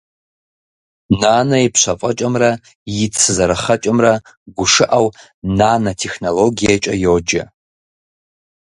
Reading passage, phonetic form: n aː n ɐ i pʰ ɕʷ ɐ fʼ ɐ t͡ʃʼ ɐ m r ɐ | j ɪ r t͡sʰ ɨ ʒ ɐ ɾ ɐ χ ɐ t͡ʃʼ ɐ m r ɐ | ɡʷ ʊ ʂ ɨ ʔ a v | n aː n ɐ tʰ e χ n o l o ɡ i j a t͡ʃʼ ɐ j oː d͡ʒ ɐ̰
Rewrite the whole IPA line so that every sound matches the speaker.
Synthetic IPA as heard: n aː n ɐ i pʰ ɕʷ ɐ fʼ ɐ t͡ʃʼ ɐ m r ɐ | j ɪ t͡sʰ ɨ z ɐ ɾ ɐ χ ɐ t͡ʃʼ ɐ m r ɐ | ɡʷ ʊ ʂ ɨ ʔ a w | n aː n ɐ tʰ e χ n o l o ɡ i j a t͡ʃʼ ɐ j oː d͡ʒ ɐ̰